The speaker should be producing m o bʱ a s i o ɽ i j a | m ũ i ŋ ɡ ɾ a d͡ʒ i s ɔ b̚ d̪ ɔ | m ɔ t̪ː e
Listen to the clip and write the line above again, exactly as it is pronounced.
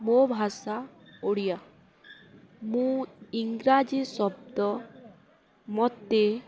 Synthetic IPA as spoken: m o bʱ a s a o ɽ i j a | m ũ i ŋ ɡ ɾ a d͡ʒ i s ɔ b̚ d̪ ɔ | m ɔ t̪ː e

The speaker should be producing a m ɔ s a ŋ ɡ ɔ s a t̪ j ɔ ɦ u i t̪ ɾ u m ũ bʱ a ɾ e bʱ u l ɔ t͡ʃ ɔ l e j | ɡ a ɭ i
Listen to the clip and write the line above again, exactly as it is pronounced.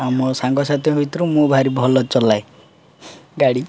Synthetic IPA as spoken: a m ɔ s a ŋ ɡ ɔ s a t̪ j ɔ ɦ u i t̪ ɾ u m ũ bʱ a ɾ i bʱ ɔ l ɔ t͡ʃ ɔ l a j | ɡ a ɽ i

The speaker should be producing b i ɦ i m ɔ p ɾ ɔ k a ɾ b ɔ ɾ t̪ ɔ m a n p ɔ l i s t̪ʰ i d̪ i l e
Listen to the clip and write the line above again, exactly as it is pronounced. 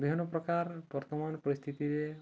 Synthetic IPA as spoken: b i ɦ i n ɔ p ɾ ɔ k a ɾ b ɔ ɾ t̪ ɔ m a n p ɔ ɾ i s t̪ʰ i t̪ i ɾ e

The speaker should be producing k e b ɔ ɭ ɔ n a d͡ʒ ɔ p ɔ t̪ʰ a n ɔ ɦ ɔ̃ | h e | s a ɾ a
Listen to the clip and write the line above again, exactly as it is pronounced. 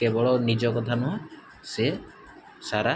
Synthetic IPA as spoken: k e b ɔ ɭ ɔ n i d͡ʒ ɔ k ɔ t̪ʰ a n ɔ ɦ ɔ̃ | s e | s a ɾ a

